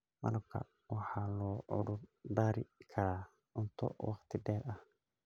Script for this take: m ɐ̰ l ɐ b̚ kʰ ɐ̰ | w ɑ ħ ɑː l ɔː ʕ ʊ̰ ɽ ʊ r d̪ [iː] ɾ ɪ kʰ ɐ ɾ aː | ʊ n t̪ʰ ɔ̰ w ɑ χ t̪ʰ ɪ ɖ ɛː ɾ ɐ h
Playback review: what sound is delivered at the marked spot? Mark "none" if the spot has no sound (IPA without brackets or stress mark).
aː